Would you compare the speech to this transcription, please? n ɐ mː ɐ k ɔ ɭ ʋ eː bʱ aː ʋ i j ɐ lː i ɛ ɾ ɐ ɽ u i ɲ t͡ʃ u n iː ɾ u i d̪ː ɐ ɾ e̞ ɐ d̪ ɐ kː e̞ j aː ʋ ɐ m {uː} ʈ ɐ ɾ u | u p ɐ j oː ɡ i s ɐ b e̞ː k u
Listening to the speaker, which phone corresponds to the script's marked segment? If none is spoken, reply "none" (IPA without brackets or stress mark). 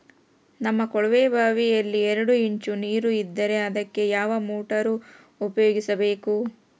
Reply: uː